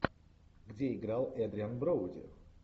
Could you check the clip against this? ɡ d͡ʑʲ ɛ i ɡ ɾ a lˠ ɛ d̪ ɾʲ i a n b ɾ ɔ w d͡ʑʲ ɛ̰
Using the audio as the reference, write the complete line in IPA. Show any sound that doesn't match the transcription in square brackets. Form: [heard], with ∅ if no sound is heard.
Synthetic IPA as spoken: ɡ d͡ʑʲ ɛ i ɡ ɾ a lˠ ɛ d̪ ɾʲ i a n b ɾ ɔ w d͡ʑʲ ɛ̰